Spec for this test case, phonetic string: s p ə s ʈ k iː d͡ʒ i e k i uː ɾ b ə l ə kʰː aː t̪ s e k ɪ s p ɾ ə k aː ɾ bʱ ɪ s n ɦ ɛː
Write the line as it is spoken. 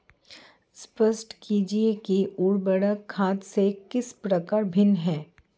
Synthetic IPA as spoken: s p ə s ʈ k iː d͡ʒ i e k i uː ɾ b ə ɽ ə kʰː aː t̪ s e k ɪ s p ɾ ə k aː ɾ bʱ ɪ n ɦ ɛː

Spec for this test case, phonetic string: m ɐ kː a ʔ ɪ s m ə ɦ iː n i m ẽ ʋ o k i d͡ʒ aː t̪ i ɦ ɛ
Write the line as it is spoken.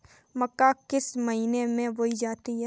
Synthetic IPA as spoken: m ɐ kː a k ɪ s m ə ɦ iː n e m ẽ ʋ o i d͡ʒ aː t̪ i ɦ ɛ

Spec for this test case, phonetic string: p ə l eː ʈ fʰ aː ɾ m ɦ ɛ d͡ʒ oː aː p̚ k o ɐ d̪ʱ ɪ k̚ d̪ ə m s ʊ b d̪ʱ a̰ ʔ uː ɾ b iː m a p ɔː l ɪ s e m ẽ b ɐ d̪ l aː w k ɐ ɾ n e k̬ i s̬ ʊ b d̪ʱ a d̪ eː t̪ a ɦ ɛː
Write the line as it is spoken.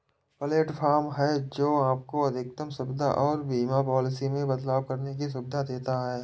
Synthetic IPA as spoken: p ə l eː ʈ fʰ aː ɾ m ɦ ɛ d͡ʒ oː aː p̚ k o ɐ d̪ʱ ɪ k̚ t̪ ə m s ʊ b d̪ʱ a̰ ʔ ɔː ɾ b iː m a p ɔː l ɪ s i m ẽ b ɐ d̪ l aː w k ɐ ɾ n e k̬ i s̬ ʊ b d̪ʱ a d̪ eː t̪ a ɦ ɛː

